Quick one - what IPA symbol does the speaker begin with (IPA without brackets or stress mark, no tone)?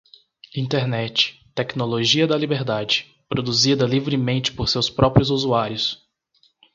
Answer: ĩ